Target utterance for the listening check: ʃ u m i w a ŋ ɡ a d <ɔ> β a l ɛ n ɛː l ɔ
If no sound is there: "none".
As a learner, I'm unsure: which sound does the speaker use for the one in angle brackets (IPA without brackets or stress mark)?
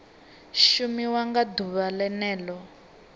u